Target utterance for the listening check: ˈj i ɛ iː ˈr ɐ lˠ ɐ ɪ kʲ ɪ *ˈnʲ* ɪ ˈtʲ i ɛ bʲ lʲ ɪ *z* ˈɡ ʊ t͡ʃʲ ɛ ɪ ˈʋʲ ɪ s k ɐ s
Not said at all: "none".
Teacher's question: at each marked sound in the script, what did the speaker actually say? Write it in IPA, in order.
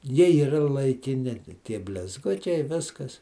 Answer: nʲ, z

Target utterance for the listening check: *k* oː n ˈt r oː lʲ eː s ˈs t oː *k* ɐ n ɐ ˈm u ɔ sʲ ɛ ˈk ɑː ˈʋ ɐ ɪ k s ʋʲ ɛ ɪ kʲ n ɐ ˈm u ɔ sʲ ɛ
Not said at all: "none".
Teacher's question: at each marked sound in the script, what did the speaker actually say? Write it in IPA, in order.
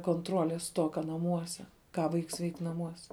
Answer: k, k

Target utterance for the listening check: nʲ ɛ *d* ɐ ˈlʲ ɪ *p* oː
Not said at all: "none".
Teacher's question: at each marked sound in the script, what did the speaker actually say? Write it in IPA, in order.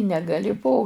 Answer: ɡ, p

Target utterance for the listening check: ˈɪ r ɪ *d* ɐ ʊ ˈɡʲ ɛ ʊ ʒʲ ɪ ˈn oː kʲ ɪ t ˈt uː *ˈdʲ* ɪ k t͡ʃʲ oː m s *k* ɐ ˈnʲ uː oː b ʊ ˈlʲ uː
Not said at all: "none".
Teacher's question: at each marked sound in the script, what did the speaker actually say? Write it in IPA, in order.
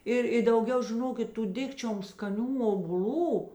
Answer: d, dʲ, k

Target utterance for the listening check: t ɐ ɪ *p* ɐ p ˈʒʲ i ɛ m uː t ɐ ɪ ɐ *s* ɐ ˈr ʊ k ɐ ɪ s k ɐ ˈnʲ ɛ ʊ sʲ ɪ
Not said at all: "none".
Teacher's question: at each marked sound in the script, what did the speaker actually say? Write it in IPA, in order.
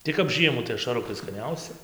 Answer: k, ʃ

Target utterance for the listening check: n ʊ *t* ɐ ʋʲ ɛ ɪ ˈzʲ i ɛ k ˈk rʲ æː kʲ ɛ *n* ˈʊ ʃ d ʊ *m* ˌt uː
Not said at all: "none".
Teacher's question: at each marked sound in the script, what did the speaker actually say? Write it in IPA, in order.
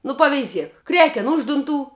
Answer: p, n, n

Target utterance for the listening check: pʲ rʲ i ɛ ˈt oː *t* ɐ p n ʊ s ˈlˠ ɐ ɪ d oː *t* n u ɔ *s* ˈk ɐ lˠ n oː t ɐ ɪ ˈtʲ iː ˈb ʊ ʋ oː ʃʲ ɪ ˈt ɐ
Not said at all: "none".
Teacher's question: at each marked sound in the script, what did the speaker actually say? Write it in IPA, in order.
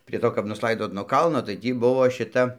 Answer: k, t, none

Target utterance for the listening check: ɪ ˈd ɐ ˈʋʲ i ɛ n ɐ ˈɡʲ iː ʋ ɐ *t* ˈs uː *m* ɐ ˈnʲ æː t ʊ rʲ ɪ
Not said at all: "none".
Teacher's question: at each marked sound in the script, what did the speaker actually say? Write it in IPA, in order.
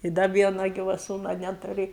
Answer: none, n

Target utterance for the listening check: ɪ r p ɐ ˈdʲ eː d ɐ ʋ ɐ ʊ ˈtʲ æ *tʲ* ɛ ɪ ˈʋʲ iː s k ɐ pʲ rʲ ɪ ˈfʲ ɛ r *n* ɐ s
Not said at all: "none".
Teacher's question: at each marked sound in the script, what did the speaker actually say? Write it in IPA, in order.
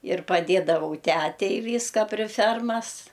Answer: tʲ, m

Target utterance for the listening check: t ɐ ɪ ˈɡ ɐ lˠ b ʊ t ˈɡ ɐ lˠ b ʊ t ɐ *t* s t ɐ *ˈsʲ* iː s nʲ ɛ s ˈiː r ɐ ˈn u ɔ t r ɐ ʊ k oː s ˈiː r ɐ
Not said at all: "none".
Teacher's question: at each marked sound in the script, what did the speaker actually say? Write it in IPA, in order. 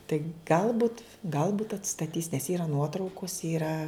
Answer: t, tʲ

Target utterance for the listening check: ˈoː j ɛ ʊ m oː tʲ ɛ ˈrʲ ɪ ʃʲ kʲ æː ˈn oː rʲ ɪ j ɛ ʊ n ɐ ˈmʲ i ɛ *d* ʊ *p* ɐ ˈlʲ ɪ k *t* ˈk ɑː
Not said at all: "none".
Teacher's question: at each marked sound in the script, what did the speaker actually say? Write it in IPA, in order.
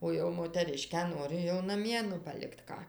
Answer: n, p, t

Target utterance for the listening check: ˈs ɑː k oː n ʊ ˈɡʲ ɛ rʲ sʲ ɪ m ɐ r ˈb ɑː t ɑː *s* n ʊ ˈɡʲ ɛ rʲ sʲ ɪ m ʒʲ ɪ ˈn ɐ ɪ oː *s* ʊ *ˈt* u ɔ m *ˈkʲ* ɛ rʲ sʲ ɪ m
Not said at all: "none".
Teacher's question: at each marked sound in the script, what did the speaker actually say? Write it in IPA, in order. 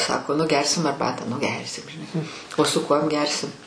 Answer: none, s, k, ɡʲ

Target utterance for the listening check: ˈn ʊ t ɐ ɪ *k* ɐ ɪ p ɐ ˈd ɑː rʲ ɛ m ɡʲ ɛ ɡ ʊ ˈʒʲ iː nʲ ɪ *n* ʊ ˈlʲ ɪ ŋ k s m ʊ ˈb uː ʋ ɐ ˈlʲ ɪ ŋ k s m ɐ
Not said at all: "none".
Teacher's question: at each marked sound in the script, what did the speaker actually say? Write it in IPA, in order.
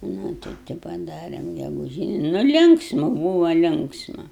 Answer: t, n

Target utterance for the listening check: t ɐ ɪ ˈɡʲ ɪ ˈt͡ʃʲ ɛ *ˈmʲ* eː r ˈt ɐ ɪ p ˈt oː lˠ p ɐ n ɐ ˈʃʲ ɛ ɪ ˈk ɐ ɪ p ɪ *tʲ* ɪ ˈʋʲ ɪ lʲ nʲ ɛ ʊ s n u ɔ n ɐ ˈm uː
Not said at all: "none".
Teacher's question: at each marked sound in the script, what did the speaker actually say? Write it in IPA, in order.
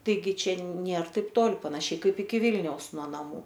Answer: nʲ, kʲ

